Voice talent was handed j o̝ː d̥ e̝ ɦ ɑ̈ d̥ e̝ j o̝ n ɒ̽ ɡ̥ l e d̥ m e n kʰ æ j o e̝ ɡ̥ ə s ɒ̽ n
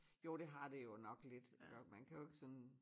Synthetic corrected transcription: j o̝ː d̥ e̝ ɦ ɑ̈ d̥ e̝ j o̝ n ɒ̽ ɡ̥ l e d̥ m æ n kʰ æ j o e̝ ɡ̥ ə s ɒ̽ n